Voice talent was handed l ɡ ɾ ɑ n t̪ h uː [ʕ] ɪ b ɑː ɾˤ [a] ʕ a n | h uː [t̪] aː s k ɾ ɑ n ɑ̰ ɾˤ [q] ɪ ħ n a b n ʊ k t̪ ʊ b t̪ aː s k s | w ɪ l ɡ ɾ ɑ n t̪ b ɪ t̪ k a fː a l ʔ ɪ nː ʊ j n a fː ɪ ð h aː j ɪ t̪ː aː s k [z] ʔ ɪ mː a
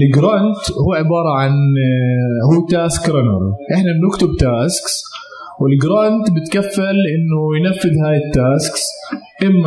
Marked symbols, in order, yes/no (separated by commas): yes, no, yes, no, no